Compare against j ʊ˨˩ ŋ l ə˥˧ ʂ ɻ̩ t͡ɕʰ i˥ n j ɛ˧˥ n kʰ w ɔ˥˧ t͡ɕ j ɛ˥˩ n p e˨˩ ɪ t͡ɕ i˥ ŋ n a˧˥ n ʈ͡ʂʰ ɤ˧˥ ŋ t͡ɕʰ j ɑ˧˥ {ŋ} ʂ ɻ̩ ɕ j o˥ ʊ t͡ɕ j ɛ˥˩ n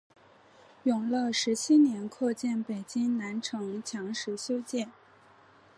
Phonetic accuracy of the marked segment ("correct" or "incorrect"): correct